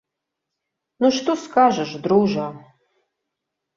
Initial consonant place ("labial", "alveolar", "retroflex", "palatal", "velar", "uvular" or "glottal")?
alveolar